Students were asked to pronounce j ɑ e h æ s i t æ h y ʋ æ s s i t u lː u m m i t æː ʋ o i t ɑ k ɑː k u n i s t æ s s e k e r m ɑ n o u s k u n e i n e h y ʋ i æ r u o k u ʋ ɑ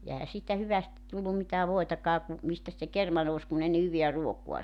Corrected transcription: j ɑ e h æ s iː t æ h y ʋ æ s t i t u lː u m m i t æː ʋ o i t ɑ k ɑː k u m i s t æ s s e k e r m ɑ n o u s k u n e i n e h y ʋ i æ r u o k u ɑ